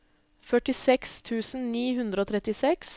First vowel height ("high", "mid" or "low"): mid